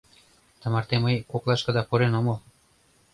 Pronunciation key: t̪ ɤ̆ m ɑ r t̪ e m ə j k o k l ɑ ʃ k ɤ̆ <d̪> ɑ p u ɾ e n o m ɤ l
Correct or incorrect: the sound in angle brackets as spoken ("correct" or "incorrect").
correct